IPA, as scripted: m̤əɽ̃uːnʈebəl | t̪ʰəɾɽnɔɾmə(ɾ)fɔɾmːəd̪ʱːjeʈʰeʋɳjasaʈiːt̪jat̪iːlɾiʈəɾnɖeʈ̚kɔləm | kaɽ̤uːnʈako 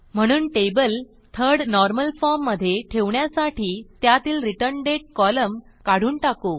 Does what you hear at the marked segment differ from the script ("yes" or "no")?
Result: yes